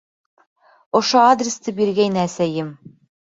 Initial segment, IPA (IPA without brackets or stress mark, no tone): ŏ